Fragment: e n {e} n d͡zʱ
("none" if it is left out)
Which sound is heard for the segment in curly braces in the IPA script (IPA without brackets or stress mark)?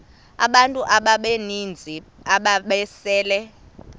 i